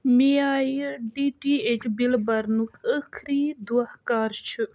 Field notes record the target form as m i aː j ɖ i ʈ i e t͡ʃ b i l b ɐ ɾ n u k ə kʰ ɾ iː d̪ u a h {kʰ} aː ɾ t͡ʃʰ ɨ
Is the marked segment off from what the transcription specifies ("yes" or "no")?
yes